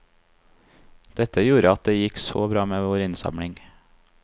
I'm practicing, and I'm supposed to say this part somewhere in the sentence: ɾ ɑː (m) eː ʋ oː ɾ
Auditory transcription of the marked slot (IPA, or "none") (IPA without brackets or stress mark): m